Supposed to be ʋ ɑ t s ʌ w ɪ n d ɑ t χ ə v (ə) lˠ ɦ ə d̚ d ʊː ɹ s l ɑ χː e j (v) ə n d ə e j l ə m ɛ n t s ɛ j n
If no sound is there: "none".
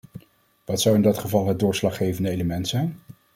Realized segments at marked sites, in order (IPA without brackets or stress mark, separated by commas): ɑ, v